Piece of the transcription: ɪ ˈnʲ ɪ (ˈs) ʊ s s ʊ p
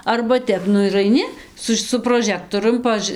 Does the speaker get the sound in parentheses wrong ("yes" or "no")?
no